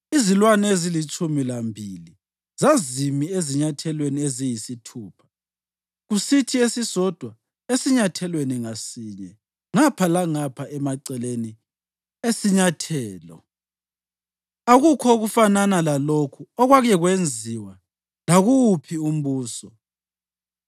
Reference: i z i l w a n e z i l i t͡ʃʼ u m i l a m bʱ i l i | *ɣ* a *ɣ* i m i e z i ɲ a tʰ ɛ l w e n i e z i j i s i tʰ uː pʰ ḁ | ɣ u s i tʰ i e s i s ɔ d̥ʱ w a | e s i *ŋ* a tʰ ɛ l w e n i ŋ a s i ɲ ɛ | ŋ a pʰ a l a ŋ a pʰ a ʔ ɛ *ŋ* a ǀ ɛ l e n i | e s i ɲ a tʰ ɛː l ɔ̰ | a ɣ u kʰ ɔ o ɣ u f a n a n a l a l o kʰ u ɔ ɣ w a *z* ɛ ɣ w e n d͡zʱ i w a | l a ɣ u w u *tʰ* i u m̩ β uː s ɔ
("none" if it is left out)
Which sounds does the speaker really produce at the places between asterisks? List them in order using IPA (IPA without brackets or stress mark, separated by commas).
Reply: z, z, ɲ, m, ɣ, pʰ